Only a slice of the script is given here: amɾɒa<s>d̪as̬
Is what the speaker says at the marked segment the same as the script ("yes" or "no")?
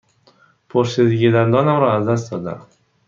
no